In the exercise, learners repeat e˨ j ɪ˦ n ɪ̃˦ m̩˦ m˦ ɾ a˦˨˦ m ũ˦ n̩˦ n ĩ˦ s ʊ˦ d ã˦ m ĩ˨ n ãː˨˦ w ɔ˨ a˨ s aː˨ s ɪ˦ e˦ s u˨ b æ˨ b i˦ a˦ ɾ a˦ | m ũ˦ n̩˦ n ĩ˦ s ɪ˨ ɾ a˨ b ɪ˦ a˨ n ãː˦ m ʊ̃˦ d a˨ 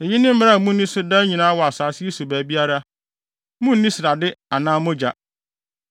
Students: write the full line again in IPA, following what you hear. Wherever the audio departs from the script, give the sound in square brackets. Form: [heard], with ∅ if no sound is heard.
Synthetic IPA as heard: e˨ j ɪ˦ n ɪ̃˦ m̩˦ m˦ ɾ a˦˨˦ m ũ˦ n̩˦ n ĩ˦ s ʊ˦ d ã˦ [ɲ] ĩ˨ n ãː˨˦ w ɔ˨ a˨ s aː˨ s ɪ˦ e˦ s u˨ b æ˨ b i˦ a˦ ɾ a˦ | m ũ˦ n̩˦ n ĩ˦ s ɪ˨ ɾ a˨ [d] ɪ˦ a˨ n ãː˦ m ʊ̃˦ [d͡ʑ] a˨

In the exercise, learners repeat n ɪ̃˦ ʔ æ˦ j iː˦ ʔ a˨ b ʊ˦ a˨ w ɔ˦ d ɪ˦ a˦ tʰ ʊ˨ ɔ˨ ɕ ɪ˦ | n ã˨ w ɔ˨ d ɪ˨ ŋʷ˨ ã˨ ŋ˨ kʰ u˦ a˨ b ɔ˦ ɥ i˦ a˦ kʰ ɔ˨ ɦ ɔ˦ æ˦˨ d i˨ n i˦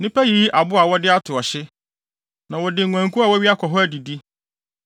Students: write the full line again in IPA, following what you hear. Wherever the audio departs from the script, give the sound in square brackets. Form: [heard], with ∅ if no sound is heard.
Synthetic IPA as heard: n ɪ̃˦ [p] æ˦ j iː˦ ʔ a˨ b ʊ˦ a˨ w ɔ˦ d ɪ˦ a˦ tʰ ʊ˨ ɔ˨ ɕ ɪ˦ | n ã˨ w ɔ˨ d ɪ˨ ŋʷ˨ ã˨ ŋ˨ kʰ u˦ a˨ [w] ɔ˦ ɥ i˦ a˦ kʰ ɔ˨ ɦ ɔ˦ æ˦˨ d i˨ [d] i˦

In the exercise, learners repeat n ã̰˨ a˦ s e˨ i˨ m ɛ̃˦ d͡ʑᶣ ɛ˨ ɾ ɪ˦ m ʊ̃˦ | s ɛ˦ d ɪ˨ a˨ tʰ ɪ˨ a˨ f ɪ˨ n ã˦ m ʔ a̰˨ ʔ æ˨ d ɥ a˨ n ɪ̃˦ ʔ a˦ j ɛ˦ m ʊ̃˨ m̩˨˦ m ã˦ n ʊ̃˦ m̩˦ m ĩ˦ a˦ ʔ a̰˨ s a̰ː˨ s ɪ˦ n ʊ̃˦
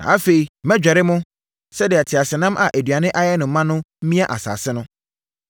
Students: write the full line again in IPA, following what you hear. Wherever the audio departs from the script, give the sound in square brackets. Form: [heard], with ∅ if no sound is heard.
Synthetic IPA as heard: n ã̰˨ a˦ [f] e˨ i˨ m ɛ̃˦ d͡ʑᶣ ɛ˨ ɾ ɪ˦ m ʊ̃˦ | s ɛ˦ d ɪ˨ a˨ tʰ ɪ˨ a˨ [s] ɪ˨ n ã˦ m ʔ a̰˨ ʔ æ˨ d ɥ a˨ n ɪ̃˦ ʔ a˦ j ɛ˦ [n] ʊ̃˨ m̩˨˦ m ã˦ n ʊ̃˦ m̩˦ m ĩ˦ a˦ ʔ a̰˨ s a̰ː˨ s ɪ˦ n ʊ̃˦

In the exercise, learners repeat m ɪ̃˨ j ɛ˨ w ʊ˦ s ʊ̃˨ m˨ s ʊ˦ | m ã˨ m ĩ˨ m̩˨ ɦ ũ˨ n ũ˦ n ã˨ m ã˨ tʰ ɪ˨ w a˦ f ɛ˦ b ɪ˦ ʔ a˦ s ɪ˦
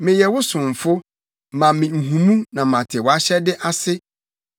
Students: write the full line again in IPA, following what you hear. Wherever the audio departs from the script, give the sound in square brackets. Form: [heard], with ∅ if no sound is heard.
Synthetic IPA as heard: m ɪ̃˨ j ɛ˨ w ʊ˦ s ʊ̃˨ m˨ [f] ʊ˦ | m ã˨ m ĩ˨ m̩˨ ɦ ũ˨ [m] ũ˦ n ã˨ m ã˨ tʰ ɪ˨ w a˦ [ɕ] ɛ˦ [d] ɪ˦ ʔ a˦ s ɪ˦

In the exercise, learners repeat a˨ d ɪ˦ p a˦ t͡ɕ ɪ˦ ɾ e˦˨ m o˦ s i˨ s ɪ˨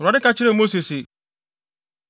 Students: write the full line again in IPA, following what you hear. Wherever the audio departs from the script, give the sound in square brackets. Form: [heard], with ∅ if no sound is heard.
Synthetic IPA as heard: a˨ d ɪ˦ [k] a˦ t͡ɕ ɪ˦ ɾ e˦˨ m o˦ s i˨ s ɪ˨

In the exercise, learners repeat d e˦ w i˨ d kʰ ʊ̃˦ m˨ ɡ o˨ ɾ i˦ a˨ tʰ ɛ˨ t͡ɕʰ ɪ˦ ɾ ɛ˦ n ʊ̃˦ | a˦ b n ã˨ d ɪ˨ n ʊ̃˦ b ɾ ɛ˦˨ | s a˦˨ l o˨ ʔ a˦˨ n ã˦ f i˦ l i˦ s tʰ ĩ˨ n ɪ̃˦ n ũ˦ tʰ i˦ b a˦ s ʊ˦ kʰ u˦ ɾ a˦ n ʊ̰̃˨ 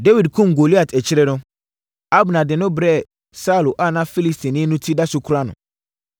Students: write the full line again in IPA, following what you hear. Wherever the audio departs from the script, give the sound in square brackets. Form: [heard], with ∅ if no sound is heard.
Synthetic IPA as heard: d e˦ w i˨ d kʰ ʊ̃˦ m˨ ɡ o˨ [l] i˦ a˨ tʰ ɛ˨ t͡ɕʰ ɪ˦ ɾ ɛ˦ n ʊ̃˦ | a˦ b n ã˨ d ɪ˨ n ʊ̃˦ b ɾ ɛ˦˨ | s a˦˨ l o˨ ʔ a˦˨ n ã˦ f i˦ l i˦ s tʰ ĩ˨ n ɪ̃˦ n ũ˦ tʰ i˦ [d] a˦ s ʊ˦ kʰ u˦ ɾ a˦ n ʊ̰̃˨

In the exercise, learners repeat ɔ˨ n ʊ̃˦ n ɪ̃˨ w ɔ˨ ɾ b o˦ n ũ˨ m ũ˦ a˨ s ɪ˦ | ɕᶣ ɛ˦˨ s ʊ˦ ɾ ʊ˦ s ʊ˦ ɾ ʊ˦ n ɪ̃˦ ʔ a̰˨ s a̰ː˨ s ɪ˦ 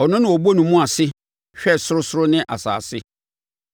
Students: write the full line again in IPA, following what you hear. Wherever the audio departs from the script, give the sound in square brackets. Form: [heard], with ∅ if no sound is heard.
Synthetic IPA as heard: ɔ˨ n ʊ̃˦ n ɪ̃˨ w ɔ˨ [∅] b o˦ n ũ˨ m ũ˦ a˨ s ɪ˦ | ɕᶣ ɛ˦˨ s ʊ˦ ɾ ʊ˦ s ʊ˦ ɾ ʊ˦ n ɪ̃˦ ʔ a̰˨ s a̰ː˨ s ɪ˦

